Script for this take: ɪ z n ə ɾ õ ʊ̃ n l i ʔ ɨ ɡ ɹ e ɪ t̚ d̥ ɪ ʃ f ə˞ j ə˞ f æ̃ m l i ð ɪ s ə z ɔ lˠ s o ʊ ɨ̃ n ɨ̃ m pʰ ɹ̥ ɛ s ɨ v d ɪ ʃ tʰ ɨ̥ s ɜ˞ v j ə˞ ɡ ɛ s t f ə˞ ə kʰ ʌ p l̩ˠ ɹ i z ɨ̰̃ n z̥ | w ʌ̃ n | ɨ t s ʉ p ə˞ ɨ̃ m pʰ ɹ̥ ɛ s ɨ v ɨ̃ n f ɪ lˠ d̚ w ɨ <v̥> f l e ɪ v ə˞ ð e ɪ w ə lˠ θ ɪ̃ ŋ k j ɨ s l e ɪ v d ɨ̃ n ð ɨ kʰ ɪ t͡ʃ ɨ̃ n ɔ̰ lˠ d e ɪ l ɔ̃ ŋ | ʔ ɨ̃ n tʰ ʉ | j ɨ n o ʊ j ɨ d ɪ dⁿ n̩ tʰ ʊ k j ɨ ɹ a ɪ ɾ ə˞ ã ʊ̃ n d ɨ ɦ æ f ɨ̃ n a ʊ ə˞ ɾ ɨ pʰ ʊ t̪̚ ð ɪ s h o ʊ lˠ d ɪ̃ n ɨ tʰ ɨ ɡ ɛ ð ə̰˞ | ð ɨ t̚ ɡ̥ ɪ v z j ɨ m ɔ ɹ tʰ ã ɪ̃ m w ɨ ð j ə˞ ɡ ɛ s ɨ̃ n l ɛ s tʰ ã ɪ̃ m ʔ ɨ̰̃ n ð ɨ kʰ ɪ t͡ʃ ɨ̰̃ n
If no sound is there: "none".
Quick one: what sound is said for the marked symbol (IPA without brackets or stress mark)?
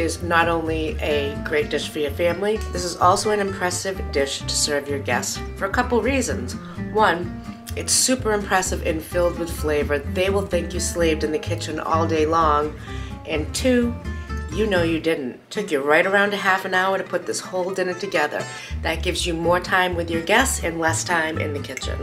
ð̥